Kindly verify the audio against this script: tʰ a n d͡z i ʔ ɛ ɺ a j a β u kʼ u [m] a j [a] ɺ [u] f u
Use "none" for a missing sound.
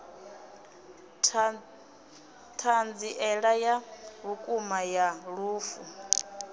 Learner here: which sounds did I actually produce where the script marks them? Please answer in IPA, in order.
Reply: m, a, uː

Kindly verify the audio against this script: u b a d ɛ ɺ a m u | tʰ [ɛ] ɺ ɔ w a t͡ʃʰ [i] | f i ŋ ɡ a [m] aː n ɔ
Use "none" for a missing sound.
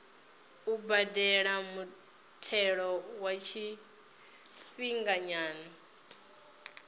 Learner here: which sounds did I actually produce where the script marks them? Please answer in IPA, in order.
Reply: ɛ, i, ɲ

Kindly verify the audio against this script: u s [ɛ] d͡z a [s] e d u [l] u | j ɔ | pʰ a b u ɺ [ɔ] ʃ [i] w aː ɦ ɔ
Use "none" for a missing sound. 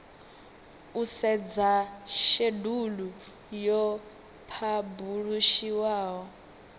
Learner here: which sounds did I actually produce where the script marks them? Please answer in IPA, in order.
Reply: ɛ, ʃ, l, u, i

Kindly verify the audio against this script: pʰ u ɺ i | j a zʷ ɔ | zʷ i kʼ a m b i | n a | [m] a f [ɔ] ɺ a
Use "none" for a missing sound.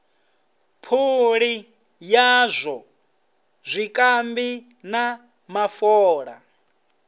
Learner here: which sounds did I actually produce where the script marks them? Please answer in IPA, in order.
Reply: m, ɔː

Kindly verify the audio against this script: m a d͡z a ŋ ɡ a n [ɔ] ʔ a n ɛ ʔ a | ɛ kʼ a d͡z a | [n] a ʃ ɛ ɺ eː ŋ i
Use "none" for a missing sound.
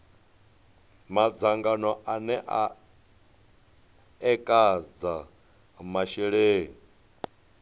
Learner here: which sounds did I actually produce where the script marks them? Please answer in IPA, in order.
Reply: ɔ, m

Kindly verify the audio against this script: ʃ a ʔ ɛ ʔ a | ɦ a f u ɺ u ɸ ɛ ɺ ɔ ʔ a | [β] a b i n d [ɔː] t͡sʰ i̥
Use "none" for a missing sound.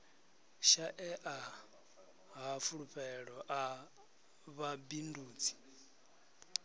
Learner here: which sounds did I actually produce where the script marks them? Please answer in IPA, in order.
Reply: β, uː

